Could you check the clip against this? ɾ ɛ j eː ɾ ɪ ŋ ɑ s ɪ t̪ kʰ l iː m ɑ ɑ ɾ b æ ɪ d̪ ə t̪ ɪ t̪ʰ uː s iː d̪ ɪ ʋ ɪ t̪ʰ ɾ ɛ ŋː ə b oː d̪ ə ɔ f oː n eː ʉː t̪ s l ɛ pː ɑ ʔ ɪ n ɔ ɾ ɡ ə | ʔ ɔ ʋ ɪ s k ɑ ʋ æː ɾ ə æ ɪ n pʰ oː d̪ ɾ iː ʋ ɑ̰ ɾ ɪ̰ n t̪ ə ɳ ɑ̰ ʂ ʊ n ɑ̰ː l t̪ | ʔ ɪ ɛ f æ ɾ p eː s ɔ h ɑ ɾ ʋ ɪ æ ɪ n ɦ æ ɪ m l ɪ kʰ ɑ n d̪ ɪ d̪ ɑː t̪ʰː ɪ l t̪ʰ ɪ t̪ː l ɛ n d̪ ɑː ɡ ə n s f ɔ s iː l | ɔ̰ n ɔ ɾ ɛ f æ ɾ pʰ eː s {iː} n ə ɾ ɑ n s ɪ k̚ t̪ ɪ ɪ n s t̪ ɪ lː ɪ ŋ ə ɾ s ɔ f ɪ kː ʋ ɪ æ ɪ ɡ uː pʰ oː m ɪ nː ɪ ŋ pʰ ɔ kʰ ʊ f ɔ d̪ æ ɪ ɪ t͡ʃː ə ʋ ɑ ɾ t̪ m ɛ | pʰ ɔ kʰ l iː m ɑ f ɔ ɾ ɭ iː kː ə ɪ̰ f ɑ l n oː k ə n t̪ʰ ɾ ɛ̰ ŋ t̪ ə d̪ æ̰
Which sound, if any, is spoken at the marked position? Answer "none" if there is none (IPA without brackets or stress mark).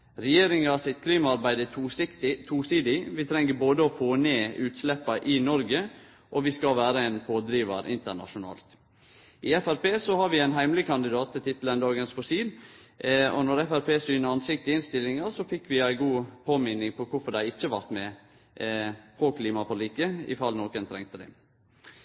yː